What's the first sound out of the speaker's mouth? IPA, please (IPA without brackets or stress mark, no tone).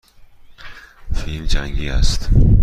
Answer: f